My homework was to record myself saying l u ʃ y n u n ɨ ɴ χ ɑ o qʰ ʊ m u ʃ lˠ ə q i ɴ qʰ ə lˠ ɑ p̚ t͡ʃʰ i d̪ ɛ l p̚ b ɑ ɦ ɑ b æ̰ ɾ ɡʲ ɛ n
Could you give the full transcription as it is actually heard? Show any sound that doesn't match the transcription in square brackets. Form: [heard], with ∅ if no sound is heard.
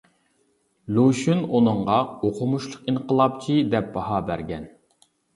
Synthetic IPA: l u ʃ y n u n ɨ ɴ [ʁ] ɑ o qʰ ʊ m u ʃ lˠ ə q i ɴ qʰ ə lˠ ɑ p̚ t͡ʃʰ i d̪ ɛ [∅] p̚ b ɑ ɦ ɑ b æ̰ ɾ ɡʲ ɛ n